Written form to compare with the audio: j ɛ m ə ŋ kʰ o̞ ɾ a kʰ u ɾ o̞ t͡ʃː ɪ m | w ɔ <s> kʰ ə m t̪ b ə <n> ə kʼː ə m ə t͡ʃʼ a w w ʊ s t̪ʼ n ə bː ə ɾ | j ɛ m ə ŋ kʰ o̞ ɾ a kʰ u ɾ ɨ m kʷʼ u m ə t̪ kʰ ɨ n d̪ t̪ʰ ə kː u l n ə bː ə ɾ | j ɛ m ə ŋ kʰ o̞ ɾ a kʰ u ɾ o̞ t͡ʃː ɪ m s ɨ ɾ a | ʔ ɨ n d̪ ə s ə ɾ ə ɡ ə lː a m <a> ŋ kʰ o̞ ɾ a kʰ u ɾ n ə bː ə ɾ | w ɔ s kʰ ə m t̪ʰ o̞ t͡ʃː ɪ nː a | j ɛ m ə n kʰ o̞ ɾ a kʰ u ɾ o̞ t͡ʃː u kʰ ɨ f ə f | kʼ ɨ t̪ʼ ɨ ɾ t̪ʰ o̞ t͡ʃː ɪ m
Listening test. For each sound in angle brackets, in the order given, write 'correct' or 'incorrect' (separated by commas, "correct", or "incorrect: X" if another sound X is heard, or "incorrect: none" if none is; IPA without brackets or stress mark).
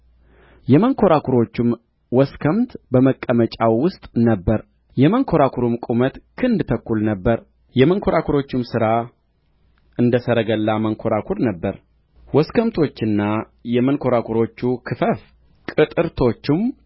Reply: correct, incorrect: m, incorrect: ə